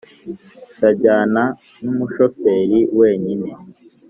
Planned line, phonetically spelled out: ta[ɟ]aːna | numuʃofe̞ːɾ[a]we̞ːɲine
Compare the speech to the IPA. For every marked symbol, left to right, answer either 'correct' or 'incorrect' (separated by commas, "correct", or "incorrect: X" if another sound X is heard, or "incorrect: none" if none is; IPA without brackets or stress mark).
correct, incorrect: i